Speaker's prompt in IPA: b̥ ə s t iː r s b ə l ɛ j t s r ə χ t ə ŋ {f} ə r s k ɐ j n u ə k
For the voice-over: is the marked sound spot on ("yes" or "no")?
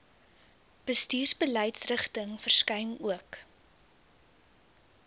yes